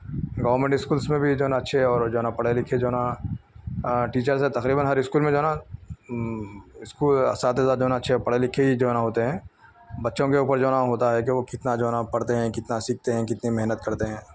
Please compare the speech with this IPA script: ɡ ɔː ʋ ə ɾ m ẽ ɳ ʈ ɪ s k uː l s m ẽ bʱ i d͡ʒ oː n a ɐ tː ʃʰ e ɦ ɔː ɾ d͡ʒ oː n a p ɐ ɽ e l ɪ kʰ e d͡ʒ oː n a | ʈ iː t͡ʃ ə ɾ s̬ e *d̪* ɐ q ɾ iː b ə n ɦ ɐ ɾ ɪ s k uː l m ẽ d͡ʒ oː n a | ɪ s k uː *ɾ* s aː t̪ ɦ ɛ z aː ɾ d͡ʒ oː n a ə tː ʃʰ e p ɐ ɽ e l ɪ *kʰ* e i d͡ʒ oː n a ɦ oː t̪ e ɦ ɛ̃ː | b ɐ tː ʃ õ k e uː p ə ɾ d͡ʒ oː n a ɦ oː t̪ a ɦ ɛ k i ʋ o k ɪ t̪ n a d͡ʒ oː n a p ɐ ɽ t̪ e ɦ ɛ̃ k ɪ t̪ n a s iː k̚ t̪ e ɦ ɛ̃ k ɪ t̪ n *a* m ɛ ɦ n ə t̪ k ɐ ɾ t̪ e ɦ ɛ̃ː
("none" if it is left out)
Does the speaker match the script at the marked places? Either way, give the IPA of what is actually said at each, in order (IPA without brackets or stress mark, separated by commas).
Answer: t̪, l, kʰ, i